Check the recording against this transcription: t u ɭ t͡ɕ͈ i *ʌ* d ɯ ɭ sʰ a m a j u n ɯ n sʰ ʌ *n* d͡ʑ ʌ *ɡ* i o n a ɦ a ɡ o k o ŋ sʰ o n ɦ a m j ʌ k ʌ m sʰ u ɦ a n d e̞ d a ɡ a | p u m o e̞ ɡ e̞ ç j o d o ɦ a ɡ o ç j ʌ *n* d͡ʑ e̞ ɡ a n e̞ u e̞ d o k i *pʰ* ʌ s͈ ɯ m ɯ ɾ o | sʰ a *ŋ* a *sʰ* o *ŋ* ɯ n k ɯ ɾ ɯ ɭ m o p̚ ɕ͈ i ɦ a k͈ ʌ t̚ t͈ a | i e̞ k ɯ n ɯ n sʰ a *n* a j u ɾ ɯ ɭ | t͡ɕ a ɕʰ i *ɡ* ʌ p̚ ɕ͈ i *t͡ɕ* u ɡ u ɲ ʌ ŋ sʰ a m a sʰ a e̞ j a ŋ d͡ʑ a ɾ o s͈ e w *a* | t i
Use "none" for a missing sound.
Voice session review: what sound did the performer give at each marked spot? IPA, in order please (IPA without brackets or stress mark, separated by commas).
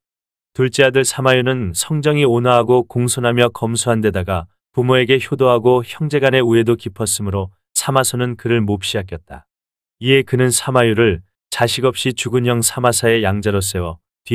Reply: a, ŋ, ŋ, ŋ, pʰ, m, sʰ, n, m, ɡ, t͡ɕ, ʌ